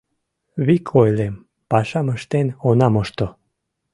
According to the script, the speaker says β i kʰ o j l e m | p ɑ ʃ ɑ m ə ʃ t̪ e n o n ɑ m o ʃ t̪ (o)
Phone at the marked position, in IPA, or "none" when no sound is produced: o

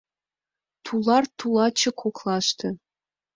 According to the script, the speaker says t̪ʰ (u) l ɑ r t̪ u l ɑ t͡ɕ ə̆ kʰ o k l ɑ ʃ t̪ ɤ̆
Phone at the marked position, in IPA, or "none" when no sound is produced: u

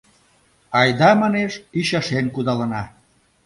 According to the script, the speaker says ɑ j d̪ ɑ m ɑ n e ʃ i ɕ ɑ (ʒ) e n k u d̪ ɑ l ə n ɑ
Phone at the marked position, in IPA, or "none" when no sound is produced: ʃ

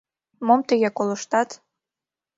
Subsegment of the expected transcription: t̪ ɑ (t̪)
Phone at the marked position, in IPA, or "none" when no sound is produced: t̪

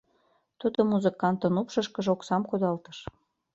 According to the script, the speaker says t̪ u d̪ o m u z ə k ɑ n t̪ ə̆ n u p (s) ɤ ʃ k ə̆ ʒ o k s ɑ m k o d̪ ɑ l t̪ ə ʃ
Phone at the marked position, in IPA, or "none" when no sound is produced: ʃ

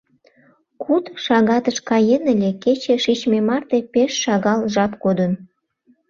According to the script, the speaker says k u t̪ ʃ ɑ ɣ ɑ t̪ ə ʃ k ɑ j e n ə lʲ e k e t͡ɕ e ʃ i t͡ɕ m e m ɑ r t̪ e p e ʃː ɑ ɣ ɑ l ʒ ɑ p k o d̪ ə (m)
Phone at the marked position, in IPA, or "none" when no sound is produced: n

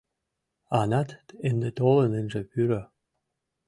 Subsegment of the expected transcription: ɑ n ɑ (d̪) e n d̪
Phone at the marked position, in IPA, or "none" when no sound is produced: t̪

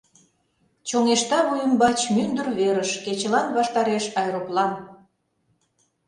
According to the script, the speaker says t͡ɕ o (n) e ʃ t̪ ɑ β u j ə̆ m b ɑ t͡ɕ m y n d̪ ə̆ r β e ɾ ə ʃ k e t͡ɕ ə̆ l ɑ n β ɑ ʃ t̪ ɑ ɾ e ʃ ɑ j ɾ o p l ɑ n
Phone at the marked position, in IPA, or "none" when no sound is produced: ŋ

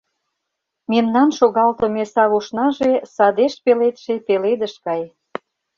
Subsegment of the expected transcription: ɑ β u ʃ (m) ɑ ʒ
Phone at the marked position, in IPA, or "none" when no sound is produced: n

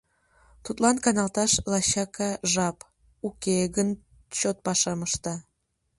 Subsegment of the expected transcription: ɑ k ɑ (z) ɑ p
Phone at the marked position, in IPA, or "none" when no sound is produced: ʒ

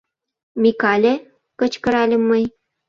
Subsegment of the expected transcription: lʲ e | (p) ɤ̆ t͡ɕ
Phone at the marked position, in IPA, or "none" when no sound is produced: k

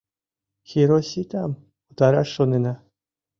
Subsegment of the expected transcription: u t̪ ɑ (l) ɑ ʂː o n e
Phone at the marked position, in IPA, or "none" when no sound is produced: ɾ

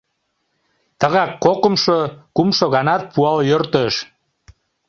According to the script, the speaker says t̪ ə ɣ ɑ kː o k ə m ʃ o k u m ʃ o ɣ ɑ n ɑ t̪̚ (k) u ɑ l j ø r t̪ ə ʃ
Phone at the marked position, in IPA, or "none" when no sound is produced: p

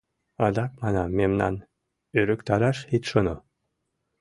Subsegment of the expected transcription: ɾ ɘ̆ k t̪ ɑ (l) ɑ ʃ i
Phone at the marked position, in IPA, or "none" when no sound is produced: ɾ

